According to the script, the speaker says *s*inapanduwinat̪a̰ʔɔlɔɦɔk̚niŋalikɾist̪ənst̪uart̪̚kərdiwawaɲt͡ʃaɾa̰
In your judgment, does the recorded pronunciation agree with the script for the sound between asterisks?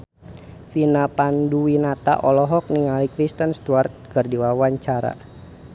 no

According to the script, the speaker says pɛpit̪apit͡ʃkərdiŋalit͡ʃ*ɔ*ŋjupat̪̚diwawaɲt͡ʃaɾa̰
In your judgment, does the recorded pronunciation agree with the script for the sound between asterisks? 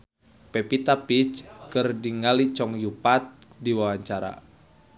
yes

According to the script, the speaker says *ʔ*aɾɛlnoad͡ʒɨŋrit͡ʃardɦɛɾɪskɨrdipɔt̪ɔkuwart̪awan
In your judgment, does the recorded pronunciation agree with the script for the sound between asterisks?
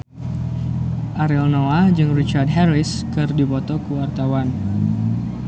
yes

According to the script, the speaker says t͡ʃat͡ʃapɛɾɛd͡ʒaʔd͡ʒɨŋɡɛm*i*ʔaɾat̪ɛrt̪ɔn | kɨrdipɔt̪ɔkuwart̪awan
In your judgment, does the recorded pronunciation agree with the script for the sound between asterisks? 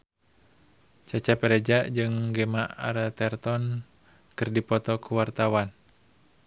no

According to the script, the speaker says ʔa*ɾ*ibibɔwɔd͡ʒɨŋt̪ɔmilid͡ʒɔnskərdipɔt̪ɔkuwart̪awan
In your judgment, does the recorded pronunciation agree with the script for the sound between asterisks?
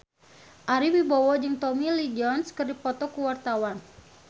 yes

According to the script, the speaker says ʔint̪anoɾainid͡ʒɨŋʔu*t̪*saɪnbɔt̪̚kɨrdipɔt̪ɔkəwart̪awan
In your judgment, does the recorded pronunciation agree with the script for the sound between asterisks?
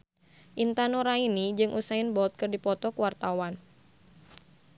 no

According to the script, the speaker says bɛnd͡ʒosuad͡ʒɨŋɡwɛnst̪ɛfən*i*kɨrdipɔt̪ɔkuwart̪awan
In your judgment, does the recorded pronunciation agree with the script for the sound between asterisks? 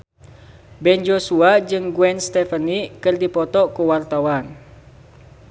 yes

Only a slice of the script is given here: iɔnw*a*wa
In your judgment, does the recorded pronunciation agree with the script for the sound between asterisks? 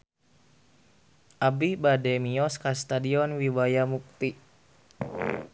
no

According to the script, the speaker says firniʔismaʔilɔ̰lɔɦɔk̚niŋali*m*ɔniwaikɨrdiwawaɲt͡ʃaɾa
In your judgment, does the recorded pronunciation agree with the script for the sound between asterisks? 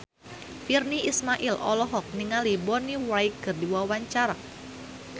no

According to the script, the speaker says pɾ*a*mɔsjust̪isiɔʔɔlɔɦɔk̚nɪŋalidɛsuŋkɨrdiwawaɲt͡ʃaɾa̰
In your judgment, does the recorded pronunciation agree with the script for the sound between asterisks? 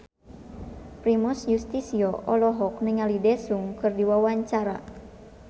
no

